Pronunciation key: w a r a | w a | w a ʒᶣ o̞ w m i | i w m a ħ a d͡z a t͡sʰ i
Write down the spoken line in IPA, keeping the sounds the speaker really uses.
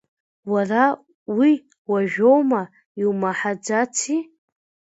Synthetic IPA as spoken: w a r a | w i | w a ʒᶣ o̞ w m a | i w m a ħ a d͡z a t͡sʰ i